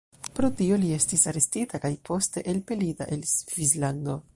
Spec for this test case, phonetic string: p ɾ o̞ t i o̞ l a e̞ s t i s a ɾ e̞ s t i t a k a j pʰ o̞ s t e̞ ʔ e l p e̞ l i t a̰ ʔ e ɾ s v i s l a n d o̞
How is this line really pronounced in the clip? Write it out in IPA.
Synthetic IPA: p ɾ o̞ t i o̞ l i e̞ s t i s a ɾ e̞ s t i t a k a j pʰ o̞ s t e̞ ʔ e l p e̞ l i t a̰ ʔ e l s v i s l a n d o̞